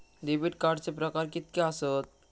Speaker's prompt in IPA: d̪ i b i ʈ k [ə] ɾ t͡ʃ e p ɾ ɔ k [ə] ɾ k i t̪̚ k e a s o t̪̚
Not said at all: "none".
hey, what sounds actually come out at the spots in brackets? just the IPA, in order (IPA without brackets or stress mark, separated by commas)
a, a